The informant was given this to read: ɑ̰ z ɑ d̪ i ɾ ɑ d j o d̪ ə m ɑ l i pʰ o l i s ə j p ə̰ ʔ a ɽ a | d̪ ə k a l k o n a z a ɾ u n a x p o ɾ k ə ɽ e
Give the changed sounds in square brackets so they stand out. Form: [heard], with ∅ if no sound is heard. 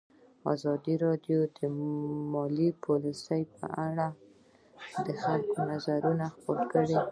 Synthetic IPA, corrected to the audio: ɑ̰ z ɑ d̪ i ɾ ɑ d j o d̪ ə m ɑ l i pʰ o l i s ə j p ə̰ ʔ a ɽ a | d̪ ə [x] a l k o n a z a ɾ u n a x p o ɾ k ə ɽ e